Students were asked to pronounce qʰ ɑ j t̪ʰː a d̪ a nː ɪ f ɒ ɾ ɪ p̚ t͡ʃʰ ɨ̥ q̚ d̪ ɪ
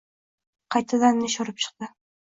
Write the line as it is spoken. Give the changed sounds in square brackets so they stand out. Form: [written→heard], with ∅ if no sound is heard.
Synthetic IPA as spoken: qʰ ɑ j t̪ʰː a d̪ a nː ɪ [f→ʃ] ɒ ɾ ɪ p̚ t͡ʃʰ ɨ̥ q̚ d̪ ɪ